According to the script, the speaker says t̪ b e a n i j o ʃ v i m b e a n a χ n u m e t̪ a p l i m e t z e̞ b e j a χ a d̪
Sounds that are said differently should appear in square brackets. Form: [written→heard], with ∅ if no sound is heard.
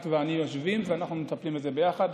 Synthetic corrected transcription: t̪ [b→v] e a n i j o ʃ v i m [b→v] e a n a χ n u m e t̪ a p l i m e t z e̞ b e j a χ a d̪